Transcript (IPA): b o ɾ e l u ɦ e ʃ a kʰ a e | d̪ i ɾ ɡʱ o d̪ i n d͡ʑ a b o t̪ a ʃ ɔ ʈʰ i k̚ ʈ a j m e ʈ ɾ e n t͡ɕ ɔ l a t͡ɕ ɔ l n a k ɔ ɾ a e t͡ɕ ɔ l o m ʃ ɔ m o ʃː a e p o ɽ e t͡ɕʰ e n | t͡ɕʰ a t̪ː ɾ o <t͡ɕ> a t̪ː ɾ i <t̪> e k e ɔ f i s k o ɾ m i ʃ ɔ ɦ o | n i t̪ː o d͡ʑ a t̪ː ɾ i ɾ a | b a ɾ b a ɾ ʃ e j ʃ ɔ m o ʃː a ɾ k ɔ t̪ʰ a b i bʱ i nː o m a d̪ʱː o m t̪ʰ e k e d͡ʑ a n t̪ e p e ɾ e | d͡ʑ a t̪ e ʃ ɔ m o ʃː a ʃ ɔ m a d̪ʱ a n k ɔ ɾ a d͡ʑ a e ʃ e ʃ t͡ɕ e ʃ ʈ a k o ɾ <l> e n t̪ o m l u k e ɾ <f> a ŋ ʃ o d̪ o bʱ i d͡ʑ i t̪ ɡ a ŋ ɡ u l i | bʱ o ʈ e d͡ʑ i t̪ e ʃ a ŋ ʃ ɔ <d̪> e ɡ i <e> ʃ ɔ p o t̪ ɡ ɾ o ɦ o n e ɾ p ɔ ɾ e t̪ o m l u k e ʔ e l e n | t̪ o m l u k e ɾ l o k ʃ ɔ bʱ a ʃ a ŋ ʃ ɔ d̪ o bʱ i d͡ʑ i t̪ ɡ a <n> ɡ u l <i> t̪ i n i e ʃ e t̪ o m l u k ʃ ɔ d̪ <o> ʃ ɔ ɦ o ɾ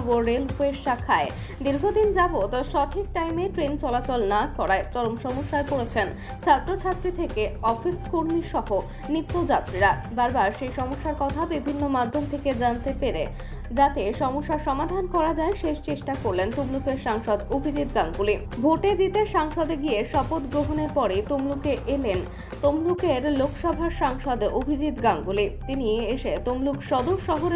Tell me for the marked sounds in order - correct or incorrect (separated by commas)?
incorrect, incorrect, correct, incorrect, correct, correct, incorrect, correct, correct